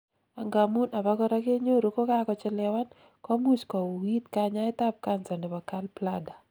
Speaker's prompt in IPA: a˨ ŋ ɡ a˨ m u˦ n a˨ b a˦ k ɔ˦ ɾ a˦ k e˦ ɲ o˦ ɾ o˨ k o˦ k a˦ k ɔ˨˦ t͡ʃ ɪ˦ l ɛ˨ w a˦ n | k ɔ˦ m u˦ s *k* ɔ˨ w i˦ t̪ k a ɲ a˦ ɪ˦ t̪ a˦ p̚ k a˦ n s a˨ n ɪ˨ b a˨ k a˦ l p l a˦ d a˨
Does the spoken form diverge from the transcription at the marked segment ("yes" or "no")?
no